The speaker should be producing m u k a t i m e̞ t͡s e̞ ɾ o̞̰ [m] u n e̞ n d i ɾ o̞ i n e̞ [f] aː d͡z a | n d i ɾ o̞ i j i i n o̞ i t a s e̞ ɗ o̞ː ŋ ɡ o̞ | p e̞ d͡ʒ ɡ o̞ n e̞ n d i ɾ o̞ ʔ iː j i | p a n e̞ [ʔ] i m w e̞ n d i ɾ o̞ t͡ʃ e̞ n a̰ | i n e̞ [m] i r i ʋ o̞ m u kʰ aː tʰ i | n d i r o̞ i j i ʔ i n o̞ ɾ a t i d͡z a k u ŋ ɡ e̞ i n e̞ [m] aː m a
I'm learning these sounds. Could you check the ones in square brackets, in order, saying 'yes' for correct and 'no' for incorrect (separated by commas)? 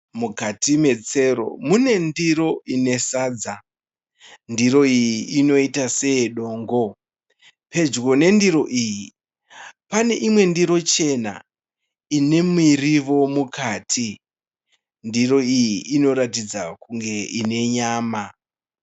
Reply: yes, no, yes, yes, no